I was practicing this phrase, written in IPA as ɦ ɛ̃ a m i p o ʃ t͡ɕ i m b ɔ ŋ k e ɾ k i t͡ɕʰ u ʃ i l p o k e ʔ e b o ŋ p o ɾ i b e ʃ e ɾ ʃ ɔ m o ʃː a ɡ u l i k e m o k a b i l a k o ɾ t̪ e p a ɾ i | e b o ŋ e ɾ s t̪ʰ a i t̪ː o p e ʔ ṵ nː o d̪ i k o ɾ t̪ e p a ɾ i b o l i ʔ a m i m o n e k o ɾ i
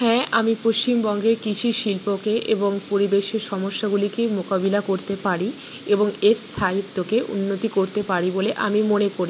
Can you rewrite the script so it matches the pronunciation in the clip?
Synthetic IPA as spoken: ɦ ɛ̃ a m i p o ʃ t͡ɕ i m b ɔ ŋ ɡ e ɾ k i t͡ɕʰ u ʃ i l p o k e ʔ e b o ŋ p o ɾ i b e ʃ e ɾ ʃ ɔ m o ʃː a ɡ u l i k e m o k a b i l a k o ɾ t̪ e p a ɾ i | e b o ŋ e ɾ s t̪ʰ a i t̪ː o k e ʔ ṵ nː o t̪ i k o ɾ t̪ e p a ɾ i b o l e ʔ a m i m o n e k o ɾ i